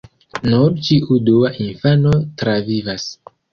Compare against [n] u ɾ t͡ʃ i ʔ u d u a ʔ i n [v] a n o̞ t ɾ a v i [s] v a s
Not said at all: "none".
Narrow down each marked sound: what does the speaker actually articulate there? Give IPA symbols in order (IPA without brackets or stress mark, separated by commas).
n, f, none